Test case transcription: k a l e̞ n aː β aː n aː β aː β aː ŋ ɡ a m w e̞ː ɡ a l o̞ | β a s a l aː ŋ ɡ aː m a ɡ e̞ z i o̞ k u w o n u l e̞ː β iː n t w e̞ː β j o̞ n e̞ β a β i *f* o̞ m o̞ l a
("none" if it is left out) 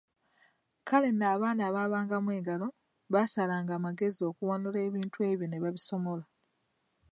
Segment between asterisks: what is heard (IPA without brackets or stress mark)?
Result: s